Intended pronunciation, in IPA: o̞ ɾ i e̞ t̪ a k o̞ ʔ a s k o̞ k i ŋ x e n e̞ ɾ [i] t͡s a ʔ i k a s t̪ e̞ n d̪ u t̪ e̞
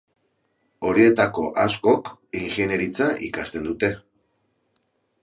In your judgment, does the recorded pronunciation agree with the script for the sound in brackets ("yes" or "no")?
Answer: yes